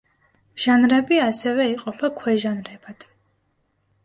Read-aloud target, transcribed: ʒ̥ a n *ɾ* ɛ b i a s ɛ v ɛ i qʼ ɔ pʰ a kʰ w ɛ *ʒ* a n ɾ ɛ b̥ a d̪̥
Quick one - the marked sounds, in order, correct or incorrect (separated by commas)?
correct, correct